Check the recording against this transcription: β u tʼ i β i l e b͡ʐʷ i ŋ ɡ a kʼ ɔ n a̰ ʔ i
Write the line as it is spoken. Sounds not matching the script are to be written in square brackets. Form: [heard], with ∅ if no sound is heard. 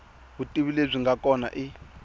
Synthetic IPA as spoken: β u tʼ i β i l e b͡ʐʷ i ŋ ɡ a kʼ ɔ n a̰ ʔ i

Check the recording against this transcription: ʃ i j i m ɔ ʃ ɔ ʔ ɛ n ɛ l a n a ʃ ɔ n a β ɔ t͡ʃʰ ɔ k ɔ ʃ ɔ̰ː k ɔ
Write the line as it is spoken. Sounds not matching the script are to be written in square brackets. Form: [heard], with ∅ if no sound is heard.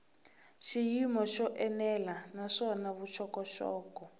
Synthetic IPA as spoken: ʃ i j i m ɔ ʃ ɔ ʔ ɛ n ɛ l a n a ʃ ɔ n a β [u] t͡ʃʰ ɔ k ɔ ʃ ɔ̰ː k ɔ

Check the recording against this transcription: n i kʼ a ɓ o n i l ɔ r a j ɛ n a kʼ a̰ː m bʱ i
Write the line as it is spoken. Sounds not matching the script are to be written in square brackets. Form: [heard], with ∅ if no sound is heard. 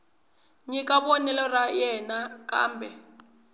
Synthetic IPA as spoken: [ŋ] i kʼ a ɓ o n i l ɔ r a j ɛ n a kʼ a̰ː m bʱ [ɛ]

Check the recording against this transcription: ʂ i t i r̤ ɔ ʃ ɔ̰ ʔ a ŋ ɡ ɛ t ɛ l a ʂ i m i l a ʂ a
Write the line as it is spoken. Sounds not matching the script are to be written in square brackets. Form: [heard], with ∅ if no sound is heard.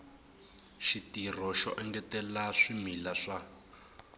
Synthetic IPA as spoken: [ʃ] i t i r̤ ɔ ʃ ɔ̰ ʔ [ɛ] ŋ ɡ ɛ t ɛ l a ʂ i m i l a ʂ a

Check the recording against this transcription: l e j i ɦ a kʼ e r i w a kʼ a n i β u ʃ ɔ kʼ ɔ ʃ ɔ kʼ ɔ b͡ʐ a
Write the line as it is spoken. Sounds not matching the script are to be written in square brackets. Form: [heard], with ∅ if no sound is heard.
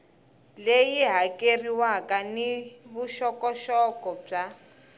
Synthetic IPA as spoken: l e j i ɦ a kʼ e r i w a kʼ a n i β u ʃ ɔ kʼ ɔ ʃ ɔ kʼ ɔ b͡ʐ a

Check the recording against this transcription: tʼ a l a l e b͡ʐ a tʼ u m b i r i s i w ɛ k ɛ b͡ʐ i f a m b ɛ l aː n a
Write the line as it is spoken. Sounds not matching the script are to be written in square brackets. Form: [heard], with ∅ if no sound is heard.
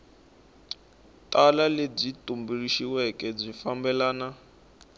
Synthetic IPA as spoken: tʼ a l a l e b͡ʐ [i] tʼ u m b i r i [ʃ] i w ɛ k ɛ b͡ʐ i f a m b ɛ l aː n a

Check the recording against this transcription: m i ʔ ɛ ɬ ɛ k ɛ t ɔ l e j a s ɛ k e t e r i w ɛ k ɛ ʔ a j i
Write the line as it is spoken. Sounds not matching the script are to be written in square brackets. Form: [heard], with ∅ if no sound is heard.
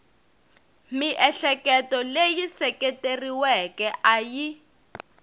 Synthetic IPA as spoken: m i ʔ ɛ ɬ ɛ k ɛ t ɔ l e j [i] s ɛ k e t e r i w ɛ k ɛ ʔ a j i

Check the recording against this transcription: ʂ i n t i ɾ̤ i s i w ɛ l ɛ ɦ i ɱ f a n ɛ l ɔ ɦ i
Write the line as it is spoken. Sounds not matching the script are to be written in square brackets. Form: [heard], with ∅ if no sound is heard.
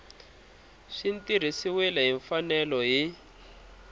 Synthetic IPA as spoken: ʂ i n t i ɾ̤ i s i w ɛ l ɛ ɦ i ɱ f a n ɛ l ɔ ɦ i

